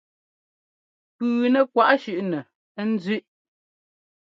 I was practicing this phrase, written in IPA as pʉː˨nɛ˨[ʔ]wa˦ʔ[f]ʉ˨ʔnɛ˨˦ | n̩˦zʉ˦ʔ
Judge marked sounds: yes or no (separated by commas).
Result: no, no